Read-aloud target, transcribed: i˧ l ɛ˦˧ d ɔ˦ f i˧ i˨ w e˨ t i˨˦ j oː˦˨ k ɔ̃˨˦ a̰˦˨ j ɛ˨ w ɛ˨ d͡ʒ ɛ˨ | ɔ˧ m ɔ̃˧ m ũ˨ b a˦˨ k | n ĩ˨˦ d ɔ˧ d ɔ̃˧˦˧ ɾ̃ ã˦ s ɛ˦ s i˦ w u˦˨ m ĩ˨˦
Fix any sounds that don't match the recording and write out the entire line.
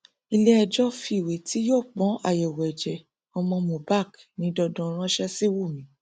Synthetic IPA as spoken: i˧ l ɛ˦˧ d͡ʒ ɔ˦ f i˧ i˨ w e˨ t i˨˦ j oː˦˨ k͡p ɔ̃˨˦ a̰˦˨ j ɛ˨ w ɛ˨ d͡ʒ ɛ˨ | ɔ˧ m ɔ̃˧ m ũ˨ b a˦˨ k | n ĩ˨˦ d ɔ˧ d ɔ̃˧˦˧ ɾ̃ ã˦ ʃ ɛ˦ s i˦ w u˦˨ m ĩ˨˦

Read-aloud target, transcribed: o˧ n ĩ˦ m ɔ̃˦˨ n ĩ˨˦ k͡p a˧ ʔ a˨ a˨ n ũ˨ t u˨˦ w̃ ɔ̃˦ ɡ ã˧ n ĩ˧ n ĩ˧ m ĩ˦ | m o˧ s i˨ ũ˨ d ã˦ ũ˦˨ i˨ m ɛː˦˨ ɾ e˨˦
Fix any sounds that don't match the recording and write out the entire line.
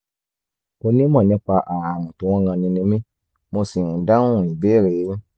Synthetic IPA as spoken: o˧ n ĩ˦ m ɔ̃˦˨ n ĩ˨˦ k͡p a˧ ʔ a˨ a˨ m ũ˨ t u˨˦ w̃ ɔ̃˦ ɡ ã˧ n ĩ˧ n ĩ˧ m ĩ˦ | m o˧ s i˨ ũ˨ d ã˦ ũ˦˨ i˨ b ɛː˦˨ ɾ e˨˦

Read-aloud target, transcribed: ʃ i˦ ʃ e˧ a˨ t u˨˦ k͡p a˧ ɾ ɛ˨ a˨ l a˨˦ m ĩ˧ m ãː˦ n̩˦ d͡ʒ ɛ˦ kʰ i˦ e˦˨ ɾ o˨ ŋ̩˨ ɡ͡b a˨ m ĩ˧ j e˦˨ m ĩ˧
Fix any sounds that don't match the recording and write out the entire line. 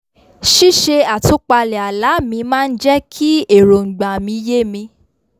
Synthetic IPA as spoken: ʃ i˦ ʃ e˧ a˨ t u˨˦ k͡p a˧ l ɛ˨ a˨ l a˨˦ m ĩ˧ m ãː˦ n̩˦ d͡ʒ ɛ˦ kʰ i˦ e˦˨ ɾ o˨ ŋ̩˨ ɡ͡b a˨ m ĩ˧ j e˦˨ m ĩ˧

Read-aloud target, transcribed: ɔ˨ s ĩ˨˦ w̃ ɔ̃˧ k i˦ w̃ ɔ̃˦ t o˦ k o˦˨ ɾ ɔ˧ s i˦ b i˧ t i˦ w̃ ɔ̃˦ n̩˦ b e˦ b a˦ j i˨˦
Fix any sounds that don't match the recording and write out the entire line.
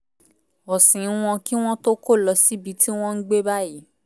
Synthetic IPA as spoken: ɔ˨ s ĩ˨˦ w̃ ɔ̃˧ k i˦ w̃ ɔ̃˦ t o˦ k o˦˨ l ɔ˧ s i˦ b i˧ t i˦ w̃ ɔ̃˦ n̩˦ ɡ͡b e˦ b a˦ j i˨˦

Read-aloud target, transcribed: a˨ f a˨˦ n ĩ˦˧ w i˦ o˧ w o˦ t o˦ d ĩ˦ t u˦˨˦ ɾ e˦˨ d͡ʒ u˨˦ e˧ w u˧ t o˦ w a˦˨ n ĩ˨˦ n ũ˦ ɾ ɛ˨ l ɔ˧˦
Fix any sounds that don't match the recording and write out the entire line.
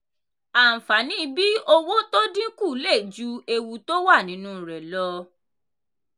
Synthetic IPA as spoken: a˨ f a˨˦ n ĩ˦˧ b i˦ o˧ w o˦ t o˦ d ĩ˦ k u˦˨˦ l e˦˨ d͡ʒ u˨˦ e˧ w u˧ t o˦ w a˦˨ n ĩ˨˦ n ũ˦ ɾ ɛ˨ l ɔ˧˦

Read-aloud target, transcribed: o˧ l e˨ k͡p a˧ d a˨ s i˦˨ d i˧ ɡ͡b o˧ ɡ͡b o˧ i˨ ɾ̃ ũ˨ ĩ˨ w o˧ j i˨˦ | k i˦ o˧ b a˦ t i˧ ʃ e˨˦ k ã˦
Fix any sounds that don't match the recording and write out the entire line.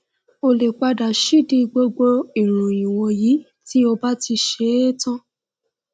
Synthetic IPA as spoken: o˧ l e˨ k͡p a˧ d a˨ ʃ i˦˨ d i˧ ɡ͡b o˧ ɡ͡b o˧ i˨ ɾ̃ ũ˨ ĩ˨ w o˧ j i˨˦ | t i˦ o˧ b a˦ t i˧ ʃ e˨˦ t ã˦

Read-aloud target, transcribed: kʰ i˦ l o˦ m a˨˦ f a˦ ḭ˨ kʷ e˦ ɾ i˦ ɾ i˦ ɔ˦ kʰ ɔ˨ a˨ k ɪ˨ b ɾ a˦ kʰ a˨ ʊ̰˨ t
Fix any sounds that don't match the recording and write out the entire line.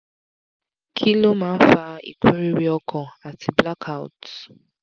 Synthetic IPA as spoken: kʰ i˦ l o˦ m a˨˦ f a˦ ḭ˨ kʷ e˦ ɾ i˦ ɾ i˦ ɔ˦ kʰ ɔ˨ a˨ t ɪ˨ b l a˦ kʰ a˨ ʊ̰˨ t

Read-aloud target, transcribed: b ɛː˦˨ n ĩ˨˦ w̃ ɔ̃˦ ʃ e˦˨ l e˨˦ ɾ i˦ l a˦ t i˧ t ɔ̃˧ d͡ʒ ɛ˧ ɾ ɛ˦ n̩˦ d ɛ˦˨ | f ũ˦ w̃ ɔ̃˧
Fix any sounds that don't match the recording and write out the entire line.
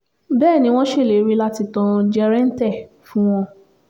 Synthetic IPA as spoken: b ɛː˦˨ n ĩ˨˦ w̃ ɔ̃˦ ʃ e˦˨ l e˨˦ ɾ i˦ l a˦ t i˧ t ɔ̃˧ d͡ʒ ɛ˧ ɾ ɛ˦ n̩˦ t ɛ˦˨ | f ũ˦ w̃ ɔ̃˧

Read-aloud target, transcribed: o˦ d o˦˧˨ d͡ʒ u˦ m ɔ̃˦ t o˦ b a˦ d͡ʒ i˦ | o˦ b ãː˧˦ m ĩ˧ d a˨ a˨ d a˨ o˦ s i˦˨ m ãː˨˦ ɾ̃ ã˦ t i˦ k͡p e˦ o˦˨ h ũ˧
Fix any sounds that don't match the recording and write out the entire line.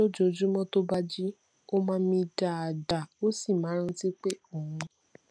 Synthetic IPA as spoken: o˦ d͡ʒ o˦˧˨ d͡ʒ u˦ m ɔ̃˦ t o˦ b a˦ d͡ʒ i˦ | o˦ m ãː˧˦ m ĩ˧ d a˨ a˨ d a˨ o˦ s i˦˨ m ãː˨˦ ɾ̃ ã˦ t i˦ k͡p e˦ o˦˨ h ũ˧

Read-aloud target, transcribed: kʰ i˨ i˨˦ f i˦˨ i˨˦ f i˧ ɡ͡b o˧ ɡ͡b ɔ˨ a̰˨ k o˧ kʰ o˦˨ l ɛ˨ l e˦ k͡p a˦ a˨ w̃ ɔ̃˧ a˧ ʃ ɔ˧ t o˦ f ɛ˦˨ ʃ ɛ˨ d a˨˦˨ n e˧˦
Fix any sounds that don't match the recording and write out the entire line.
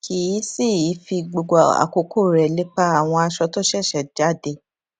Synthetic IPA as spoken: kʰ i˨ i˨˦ s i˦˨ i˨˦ f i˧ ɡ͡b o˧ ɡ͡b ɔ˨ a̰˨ k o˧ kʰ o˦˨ ɾ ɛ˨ l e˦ k͡p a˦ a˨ w̃ ɔ̃˧ a˧ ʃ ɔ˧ t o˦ ʃ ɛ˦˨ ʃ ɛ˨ d͡ʒ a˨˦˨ d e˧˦

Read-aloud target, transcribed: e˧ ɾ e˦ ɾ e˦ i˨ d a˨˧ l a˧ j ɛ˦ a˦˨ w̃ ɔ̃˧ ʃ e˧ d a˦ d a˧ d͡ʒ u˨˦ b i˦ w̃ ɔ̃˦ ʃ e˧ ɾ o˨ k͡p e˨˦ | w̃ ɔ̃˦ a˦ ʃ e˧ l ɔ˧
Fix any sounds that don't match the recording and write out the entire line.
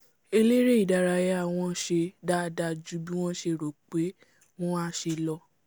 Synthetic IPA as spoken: e˧ l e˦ ɾ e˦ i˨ d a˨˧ ɾ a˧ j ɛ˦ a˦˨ w̃ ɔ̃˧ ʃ e˧ d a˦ d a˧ d͡ʒ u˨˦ b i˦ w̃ ɔ̃˦ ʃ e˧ ɾ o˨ k͡p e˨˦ | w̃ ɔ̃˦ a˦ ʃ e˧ l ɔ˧

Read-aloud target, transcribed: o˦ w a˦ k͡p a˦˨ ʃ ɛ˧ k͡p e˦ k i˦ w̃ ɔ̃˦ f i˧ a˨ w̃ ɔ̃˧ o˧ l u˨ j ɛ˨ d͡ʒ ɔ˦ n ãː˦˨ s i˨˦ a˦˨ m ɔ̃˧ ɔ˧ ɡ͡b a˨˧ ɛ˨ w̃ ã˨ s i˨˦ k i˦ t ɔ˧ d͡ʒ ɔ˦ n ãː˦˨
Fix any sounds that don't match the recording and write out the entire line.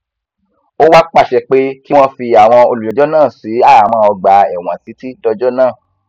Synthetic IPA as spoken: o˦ w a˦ k͡p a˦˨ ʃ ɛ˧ k͡p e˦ k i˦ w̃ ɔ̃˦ f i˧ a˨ w̃ ɔ̃˧ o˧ l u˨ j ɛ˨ d͡ʒ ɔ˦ n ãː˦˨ s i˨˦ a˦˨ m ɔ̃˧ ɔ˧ ɡ͡b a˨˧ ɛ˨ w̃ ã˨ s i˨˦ t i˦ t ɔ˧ d͡ʒ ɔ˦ n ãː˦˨

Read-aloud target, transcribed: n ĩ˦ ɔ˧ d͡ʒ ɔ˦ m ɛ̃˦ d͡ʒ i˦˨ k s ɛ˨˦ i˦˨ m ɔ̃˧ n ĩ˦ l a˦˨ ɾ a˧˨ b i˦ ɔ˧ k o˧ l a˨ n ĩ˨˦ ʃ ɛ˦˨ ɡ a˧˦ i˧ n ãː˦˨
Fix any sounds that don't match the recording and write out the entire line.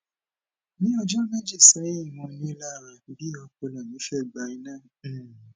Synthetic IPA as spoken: n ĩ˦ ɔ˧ d͡ʒ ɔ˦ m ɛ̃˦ d͡ʒ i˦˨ s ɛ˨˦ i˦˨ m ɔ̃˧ n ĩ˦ l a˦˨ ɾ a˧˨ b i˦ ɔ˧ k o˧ l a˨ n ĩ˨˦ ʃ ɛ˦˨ ɡ͡b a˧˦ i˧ n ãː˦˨

